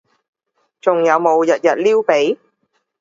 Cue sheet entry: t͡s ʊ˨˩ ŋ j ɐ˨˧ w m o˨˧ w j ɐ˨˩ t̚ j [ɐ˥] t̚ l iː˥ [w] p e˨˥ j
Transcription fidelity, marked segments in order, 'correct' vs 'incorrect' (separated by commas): incorrect, correct